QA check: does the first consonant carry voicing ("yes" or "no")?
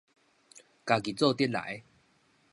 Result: no